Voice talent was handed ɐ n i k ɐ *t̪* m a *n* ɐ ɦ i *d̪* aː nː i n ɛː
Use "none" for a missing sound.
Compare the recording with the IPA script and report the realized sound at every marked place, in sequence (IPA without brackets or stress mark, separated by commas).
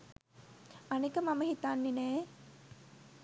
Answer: none, m, t̪